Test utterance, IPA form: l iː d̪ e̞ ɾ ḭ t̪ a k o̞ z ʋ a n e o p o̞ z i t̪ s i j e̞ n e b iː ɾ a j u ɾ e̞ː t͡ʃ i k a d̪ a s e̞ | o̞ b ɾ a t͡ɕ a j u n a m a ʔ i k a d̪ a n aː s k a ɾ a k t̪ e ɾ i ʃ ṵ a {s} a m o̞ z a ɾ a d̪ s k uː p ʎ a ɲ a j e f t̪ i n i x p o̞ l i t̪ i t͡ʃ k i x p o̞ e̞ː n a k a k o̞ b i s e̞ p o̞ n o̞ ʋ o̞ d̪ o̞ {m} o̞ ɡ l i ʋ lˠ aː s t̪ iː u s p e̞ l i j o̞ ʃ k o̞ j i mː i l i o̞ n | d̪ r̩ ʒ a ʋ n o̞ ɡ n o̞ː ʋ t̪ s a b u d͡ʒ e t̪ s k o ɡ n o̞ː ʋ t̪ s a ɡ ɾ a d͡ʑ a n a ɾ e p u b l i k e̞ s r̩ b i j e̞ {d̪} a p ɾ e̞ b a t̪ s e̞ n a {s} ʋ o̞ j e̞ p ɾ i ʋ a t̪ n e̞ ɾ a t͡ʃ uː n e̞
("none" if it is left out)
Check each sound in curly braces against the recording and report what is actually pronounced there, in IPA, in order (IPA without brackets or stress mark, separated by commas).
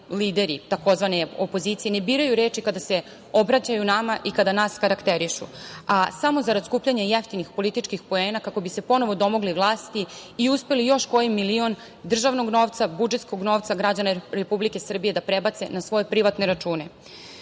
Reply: s, m, d̪, s